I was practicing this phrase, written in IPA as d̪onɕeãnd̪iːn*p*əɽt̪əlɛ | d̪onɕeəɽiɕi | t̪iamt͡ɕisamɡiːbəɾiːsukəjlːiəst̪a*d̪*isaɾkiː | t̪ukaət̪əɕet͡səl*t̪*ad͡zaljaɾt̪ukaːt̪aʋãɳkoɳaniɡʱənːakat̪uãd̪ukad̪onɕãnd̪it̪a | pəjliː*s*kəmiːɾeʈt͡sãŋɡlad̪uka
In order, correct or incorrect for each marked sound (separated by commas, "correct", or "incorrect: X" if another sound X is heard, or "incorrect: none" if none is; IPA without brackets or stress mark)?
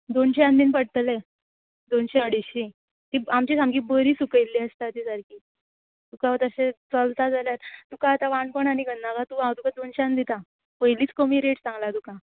correct, incorrect: t̪, correct, incorrect: t͡s